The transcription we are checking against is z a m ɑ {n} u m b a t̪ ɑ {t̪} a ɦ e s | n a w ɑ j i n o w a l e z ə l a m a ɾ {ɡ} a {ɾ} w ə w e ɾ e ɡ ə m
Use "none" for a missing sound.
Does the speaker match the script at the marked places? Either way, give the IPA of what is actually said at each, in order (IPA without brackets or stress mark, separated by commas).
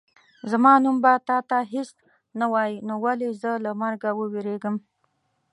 n, t̪, ɡ, none